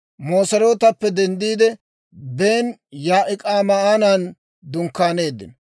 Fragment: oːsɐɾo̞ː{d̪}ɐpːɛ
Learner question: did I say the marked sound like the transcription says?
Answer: no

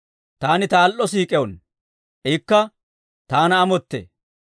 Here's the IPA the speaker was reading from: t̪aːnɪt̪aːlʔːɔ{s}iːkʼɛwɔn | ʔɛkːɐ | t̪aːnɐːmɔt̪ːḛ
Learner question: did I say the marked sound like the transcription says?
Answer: yes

